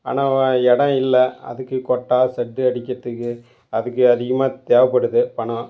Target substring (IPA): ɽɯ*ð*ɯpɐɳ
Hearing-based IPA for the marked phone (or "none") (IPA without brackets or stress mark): ð